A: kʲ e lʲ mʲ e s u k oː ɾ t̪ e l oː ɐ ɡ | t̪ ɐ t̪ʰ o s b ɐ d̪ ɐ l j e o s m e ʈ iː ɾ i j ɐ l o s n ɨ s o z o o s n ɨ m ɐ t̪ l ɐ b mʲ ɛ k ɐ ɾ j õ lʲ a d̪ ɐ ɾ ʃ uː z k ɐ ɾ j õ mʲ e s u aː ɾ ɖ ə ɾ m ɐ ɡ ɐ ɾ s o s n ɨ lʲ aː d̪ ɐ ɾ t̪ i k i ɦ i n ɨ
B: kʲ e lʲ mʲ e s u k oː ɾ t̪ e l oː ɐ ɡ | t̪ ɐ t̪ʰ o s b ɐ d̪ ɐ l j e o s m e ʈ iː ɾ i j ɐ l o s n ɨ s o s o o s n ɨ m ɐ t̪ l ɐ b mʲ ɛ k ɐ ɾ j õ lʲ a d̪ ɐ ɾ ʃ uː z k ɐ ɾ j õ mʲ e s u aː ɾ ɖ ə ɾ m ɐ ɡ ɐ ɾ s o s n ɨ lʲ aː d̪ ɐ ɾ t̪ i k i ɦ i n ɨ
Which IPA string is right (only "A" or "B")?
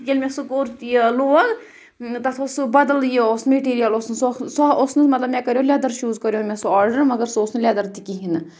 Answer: B